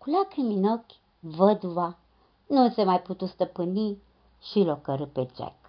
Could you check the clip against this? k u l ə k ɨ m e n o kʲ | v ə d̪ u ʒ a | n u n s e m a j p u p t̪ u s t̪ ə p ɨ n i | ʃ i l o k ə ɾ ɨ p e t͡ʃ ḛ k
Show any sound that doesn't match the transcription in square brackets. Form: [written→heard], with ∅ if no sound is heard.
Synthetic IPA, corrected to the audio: k u l [ə→a] k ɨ m [e→i] n o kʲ | v ə d̪ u [ʒ→v] a | n u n s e m a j p u [p→∅] t̪ u s t̪ ə p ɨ n i | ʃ i l o k ə ɾ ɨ p e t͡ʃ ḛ k